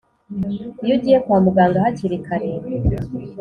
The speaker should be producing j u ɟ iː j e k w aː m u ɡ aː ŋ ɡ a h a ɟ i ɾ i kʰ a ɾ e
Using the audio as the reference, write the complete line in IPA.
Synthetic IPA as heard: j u ɟ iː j e k w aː m u ɡ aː ŋ ɡ a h a c i ɾ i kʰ a ɾ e